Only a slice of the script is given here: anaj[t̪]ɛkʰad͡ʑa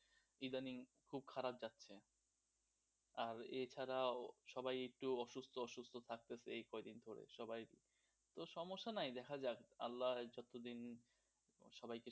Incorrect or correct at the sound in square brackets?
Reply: incorrect: d̪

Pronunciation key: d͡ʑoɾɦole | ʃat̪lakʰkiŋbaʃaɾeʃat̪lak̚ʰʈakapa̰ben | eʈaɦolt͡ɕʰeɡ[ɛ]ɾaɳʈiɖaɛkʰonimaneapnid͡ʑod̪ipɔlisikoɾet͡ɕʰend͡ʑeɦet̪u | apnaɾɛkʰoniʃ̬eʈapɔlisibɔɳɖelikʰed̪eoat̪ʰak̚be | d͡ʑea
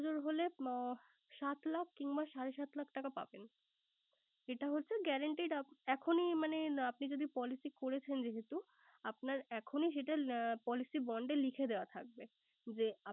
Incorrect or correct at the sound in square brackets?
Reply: correct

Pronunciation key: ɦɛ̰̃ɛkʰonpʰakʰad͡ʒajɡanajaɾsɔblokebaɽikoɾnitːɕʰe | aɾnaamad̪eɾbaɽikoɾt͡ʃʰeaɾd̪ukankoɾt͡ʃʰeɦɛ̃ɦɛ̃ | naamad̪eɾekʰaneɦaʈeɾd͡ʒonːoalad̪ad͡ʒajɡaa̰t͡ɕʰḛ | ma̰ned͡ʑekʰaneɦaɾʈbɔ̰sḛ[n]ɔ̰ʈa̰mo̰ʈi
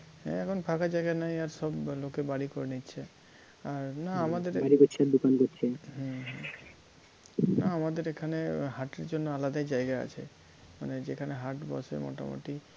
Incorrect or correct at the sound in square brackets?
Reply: incorrect: m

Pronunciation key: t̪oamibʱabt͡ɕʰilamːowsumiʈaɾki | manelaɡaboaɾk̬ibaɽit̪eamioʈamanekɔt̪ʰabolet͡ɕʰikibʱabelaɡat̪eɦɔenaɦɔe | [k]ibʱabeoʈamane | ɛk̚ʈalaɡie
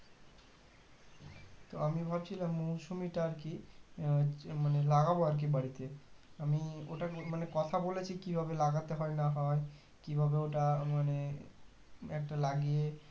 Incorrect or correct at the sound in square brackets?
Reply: correct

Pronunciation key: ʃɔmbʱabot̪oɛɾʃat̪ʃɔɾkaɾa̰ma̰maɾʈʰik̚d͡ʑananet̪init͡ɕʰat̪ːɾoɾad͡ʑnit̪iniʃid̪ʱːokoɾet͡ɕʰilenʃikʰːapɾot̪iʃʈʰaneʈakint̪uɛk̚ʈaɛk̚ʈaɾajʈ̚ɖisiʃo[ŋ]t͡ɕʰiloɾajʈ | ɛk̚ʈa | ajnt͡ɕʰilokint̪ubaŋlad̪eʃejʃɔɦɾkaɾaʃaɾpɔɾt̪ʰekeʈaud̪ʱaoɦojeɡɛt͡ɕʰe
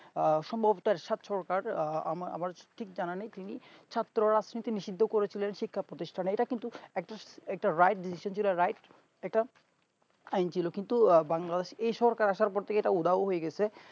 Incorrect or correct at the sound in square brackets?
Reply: incorrect: n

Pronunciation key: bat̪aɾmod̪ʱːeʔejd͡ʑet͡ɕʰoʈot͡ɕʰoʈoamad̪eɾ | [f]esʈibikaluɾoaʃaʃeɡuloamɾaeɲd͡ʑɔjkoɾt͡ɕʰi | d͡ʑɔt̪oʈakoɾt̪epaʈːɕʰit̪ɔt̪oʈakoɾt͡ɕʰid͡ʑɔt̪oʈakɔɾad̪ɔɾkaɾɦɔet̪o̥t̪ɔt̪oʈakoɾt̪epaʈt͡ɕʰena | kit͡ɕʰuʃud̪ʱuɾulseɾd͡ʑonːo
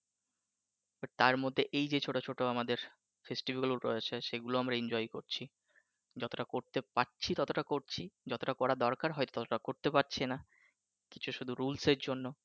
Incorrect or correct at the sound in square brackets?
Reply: correct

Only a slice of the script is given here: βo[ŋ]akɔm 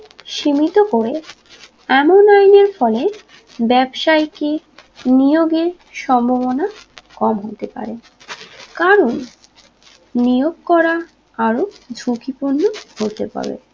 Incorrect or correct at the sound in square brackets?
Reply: incorrect: n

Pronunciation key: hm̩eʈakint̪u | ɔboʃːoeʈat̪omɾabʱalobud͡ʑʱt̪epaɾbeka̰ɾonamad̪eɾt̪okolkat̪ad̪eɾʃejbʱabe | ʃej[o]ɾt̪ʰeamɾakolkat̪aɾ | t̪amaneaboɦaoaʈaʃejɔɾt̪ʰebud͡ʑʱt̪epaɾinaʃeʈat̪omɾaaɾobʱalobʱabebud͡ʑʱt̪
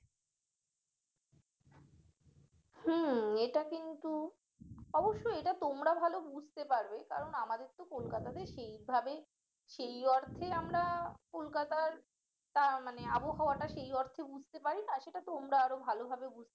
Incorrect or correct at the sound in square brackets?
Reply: incorrect: ɔ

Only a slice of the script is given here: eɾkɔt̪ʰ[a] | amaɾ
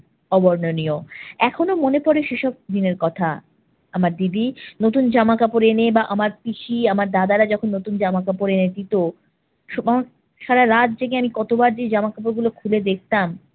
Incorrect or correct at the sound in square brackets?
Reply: correct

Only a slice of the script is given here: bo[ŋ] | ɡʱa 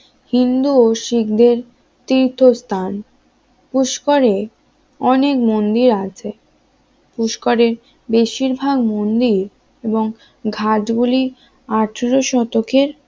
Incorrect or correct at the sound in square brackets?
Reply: correct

